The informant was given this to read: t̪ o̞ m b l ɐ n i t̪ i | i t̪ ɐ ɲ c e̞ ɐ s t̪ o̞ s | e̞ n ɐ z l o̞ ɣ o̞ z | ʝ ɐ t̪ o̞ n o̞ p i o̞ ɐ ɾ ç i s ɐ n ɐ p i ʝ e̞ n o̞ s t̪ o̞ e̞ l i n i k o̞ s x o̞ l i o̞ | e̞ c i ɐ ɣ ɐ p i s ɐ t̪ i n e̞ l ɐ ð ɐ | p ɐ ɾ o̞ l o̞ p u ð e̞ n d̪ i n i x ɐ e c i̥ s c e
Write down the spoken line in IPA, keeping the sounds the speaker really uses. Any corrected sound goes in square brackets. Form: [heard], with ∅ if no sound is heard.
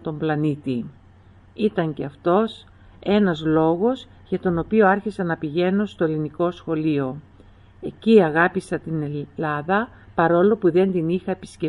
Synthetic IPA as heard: t̪ o̞ m b l ɐ n i t̪ i | i t̪ ɐ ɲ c e̞ ɐ [f] t̪ o̞ s | e̞ n ɐ z l o̞ ɣ o̞ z | ʝ ɐ t̪ o̞ n o̞ p i o̞ ɐ ɾ ç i s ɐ n ɐ p i ʝ e̞ n o̞ s t̪ o̞ e̞ l i n i k o̞ s x o̞ l i o̞ | e̞ c i ɐ ɣ ɐ p i s ɐ t̪ i n e̞ l ɐ ð ɐ | p ɐ ɾ o̞ l o̞ p u ð e̞ n d̪ i n i x ɐ e [p] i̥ s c e